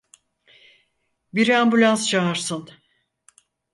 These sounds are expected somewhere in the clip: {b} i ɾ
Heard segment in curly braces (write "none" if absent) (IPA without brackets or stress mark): b